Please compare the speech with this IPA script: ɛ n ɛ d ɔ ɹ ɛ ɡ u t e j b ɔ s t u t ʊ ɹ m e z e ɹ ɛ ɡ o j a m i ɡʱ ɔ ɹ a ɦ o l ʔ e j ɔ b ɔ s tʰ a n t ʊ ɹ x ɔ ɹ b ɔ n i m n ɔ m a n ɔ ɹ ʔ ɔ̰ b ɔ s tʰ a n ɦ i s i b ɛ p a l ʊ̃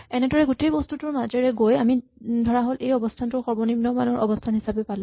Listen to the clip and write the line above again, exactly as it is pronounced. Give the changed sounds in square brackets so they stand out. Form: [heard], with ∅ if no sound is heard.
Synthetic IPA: ɛ n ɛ d ɔ ɹ ɛ ɡ u t e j b ɔ s t u t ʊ ɹ m [a] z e ɹ ɛ ɡ o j a m i [dʱ] ɔ ɹ a ɦ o l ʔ e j ɔ b ɔ s tʰ a n t ʊ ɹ x ɔ ɹ b ɔ n i m n ɔ m a n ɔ ɹ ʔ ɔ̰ b ɔ s tʰ a n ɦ i s [a] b ɛ p a l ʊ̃